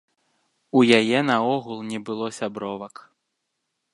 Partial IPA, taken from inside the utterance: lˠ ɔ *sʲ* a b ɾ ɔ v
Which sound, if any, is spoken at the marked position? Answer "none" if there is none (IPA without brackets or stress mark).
sʲ